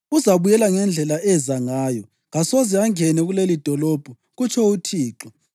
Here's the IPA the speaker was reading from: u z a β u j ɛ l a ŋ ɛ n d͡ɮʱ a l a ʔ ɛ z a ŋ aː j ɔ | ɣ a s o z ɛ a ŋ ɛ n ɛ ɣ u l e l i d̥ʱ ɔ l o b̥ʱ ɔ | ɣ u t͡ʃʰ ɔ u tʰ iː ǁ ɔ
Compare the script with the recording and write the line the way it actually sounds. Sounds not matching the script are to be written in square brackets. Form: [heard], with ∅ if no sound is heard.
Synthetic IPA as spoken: u z a β u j ɛ l a ŋ ɛ n d͡ɮʱ [ɛ] l a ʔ ɛ z a ŋ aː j ɔ | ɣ a s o z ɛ a ŋ ɛ n ɛ ɣ u l e l i d̥ʱ ɔ l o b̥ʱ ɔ | ɣ u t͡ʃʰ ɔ u tʰ iː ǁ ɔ